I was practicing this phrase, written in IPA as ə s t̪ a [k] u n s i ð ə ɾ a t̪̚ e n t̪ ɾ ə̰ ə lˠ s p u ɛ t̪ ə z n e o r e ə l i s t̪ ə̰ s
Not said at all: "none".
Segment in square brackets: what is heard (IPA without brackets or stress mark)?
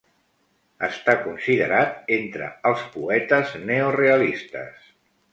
k